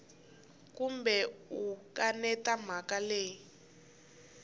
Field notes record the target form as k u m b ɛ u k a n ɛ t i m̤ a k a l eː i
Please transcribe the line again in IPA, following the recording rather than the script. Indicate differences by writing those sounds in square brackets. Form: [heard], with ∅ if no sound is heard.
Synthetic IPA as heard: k u m b ɛ u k a n ɛ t [a] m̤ a k a l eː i